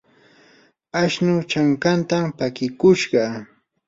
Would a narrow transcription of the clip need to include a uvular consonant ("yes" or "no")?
yes